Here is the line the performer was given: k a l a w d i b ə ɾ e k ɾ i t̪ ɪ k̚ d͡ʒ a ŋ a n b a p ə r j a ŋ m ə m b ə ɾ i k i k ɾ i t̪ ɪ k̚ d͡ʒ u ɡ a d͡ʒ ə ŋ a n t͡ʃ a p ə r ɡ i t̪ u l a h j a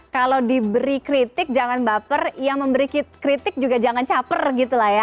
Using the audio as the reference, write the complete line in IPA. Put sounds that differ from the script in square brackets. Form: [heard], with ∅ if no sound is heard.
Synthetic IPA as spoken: k a l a w d i b ə ɾ [i] k ɾ i t̪ ɪ k̚ d͡ʒ a ŋ a n b a p ə r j a ŋ m ə m b ə ɾ i k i k ɾ i t̪ ɪ k̚ d͡ʒ u ɡ a d͡ʒ [a] ŋ a n t͡ʃ a p ə r ɡ i t̪ u l a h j a